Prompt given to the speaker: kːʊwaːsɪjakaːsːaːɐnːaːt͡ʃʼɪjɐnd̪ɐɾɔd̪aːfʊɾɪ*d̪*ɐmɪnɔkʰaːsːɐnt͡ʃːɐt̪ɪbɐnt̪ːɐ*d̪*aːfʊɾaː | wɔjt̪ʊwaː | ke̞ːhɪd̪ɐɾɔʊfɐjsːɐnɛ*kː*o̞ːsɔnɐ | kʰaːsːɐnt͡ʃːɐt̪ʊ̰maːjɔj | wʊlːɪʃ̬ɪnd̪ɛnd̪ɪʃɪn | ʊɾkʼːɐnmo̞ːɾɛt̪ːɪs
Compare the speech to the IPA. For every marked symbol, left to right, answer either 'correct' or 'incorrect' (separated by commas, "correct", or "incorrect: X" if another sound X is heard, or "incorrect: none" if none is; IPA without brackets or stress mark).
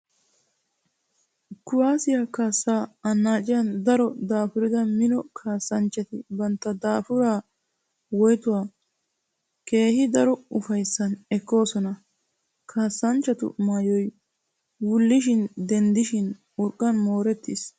correct, correct, correct